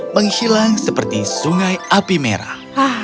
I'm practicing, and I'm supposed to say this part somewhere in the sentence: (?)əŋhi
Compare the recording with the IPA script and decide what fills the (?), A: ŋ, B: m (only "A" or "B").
B